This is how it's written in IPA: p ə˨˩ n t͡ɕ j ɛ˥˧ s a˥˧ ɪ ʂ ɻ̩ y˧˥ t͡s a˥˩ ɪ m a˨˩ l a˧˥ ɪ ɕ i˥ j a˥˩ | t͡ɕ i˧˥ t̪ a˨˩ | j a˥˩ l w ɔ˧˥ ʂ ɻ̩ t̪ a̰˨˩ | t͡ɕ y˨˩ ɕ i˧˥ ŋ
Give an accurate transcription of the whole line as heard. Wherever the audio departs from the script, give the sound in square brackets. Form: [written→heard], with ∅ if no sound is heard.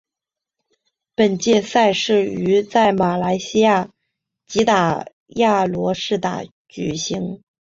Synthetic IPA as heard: p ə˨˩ n t͡ɕ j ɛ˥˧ s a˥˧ ɪ ʂ ɻ̩ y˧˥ t͡s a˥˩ ɪ m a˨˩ l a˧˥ ɪ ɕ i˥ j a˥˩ | t͡ɕ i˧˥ t̪ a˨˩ | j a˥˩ l w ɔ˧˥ ʂ ɻ̩ t̪ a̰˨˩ | t͡ɕ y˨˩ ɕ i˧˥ ŋ